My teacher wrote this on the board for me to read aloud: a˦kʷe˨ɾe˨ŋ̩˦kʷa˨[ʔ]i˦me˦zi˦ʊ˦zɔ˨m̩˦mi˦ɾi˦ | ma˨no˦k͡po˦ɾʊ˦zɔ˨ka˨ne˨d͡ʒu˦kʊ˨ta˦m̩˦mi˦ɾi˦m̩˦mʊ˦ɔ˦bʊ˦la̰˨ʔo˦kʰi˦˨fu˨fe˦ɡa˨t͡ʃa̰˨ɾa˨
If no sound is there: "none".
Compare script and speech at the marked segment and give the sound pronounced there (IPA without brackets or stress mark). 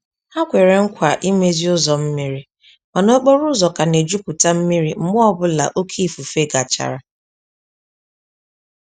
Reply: ʔ